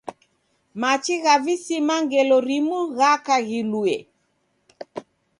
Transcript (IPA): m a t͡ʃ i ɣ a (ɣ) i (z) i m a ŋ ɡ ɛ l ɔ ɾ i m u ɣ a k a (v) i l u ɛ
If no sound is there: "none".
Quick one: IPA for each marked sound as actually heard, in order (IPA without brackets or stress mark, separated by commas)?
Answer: v, s, ɣ